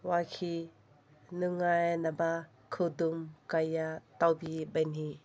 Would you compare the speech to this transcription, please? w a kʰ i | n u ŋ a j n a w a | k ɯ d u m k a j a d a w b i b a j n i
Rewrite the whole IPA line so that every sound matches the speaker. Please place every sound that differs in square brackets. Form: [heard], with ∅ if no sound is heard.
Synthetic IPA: w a kʰ i | n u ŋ a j n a [b] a | [kʰ] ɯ d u m k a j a [t] a w b i b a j n i